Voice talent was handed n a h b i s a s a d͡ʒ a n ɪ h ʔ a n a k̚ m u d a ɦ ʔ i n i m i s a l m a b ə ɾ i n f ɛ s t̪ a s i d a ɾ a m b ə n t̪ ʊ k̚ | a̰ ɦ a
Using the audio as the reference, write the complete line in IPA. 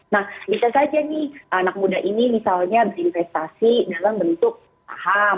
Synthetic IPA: n a h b i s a s a d͡ʒ a n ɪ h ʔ a n a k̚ m u d a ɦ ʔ i n i m i s a l ɲ a b ə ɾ i n f ɛ s t̪ a s i d a l a m b ə n t̪ ʊ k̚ | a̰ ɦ a